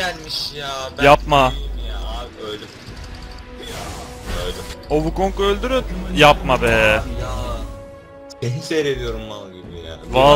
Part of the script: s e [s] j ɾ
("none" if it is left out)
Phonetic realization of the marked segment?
none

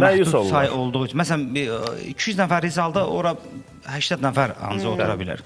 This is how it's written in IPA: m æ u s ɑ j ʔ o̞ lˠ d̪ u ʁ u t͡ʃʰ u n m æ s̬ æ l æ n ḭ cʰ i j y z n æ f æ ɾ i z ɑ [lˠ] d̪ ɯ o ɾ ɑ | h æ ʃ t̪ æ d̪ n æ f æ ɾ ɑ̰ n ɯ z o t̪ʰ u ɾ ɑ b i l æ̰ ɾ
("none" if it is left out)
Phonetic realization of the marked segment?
lˠ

